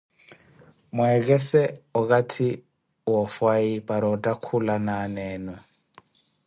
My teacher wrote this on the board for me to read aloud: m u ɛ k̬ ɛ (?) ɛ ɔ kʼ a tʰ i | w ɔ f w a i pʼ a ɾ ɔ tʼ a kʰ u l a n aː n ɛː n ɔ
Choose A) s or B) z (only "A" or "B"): A